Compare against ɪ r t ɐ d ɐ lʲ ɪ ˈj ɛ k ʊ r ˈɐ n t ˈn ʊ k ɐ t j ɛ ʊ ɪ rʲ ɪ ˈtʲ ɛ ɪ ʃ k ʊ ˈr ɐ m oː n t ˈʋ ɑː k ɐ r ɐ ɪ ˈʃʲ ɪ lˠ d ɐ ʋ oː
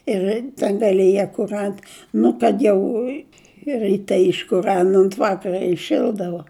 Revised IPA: ɪ r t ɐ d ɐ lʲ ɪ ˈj ɛ k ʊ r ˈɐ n t ˈn ʊ k ɐ t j ɛ ʊ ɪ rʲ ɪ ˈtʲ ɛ ɪ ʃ k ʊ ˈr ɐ n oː n t ˈʋ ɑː k ɐ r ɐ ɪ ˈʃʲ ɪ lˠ d ɐ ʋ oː

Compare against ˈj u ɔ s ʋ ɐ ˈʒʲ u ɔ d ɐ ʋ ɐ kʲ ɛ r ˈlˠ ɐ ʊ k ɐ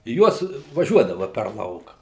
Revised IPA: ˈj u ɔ s ʋ ɐ ˈʒʲ u ɔ d ɐ ʋ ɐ pʲ ɛ r ˈlˠ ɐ ʊ k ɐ

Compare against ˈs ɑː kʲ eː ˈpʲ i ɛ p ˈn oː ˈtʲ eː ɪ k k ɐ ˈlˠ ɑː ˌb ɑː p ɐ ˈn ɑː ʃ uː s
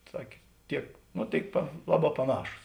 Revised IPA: ˈs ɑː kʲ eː ˈtʲ i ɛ k ˈn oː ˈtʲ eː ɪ k p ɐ ˈlˠ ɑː ˌb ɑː p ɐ ˈn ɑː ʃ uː s

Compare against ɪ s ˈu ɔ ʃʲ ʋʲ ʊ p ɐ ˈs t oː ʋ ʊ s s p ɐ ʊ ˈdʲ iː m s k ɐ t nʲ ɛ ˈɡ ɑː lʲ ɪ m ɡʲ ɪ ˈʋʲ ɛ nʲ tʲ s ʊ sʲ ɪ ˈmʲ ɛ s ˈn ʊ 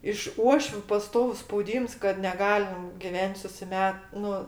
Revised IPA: ɪ ʃ ˈu ɔ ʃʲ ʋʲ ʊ p ɐ ˈs t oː ʋ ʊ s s p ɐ ʊ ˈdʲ iː m s k ɐ t nʲ ɛ ˈɡ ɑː lʲ ɪ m ɡʲ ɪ ˈʋʲ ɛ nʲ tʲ s ʊ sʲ ɪ ˈmʲ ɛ t ˈn ʊ

